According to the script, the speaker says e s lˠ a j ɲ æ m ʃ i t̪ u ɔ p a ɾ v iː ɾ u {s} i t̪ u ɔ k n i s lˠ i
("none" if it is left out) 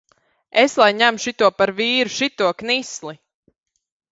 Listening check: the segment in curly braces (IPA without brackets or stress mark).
ʃ